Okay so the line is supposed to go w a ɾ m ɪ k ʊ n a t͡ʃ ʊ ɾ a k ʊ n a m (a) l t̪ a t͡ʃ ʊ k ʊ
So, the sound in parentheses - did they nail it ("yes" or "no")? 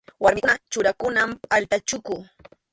yes